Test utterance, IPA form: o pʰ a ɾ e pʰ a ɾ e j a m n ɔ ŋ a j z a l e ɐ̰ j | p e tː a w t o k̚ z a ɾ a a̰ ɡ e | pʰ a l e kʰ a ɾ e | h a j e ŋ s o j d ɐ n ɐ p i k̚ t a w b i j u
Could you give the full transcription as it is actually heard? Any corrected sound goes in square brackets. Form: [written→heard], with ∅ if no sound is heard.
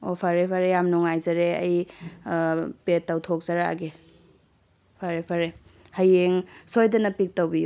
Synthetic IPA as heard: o pʰ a ɾ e pʰ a ɾ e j a m n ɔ ŋ a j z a [l→ɾ] e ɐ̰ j | p e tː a w [t→tʰ] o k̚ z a ɾ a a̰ ɡ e | pʰ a [l→ɾ] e [kʰ→pʰ] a ɾ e | h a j e ŋ s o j d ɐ n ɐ p i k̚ t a w b i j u

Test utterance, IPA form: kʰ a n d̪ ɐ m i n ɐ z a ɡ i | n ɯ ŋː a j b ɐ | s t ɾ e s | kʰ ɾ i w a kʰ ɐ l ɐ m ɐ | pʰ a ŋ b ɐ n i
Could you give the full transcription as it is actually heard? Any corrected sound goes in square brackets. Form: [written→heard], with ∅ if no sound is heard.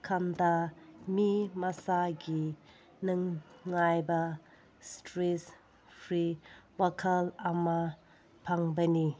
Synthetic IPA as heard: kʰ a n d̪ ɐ m i [n→m] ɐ [z→s] a ɡ i | n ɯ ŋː a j b ɐ | s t ɾ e s | [kʰ→pʰ] ɾ i w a kʰ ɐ l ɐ m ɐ | pʰ a ŋ b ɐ n i

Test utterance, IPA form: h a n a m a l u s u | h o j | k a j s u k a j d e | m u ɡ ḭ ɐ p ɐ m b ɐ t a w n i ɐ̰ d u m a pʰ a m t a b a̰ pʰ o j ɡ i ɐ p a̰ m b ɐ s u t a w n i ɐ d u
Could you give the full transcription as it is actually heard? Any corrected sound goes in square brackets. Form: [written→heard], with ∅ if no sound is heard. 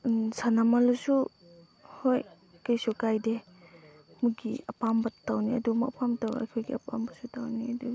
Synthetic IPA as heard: [h→s] a n a m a l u s u | h o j | k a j s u k a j d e | m u ɡ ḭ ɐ p [ɐ→a] m b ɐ t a w n i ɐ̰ d u m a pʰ a m t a [b→w] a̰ [pʰ→kʰ] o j ɡ i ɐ p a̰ m b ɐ s u t a w n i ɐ d u

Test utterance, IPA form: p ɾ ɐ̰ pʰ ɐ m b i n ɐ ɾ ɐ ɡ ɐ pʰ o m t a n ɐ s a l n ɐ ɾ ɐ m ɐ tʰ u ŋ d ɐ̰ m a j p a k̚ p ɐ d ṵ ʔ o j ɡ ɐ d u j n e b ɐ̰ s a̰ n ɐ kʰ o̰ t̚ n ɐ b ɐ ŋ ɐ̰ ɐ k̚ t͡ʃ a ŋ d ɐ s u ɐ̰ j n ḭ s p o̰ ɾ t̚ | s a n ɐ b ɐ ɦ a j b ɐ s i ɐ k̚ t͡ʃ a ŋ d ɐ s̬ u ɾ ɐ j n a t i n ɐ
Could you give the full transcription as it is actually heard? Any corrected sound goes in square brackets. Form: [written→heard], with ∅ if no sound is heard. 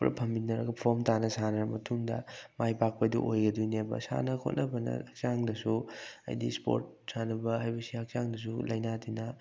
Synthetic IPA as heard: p ɾ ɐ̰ pʰ ɐ m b i n ɐ ɾ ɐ ɡ ɐ pʰ o m t a n ɐ s a [l→∅] n ɐ ɾ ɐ m ɐ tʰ u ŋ d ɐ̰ m a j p a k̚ p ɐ d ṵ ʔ o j ɡ ɐ d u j n e b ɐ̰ s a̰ n ɐ kʰ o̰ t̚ n ɐ b ɐ [ŋ→n] ɐ̰ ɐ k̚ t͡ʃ a ŋ d ɐ s u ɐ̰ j [n→d] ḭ s p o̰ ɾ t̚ | s a n ɐ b ɐ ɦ a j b ɐ s i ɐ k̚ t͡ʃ a ŋ d ɐ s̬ u [ɾ→l] ɐ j n a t i n ɐ

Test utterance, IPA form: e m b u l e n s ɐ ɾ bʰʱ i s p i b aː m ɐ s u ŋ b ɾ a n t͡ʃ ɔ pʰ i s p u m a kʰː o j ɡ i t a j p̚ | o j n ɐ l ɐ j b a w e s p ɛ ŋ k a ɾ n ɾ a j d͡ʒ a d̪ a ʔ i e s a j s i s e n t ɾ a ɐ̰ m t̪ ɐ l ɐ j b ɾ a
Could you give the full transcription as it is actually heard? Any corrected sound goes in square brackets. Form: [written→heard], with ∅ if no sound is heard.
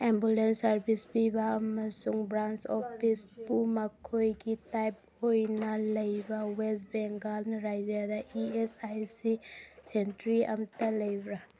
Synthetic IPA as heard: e m b u l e n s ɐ ɾ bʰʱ i s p i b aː m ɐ s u ŋ b ɾ a n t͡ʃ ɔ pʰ i s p u m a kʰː o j ɡ i t a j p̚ | o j n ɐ l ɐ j b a w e s [p→b] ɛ ŋ [k→ɡ] a [ɾ→l] n ɾ a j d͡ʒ a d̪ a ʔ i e s a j s i s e n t ɾ [a→i] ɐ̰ m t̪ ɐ l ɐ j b ɾ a

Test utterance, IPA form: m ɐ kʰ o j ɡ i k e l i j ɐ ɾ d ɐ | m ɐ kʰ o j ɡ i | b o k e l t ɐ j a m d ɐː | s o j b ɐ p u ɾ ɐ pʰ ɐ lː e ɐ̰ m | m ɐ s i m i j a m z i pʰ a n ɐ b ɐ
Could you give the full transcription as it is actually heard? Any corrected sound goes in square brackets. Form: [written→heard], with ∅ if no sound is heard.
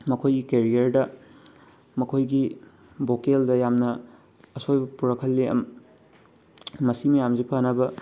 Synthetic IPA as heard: m ɐ kʰ o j ɡ i k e [l→ɾ] i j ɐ ɾ d ɐ | m ɐ kʰ o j ɡ i | b o k e l [t→d] ɐ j a m [d→n] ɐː | s o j b ɐ p u ɾ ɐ [pʰ→kʰ] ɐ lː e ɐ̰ m | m ɐ s i m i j a m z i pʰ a n ɐ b ɐ

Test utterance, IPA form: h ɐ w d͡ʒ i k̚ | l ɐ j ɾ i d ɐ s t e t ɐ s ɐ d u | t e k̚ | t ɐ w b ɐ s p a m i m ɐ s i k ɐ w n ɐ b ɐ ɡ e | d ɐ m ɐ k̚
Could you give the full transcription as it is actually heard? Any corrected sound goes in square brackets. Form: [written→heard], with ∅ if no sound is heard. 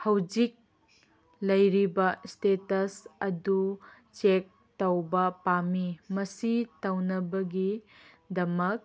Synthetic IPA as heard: h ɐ w d͡ʒ i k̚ | l ɐ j ɾ i [d→b] ɐ s t e t ɐ s ɐ d u | [t→t͡ʃ] e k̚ | t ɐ w b ɐ [s→∅] p a m i m ɐ s i [k→t] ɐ w n ɐ b ɐ ɡ [e→i] | d ɐ m ɐ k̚

